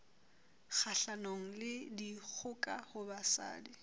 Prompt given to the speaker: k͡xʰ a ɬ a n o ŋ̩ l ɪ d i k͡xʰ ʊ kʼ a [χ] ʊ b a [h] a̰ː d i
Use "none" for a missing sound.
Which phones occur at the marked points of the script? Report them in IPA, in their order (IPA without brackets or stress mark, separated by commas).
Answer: h, s